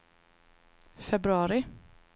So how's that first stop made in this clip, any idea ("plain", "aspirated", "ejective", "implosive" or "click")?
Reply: plain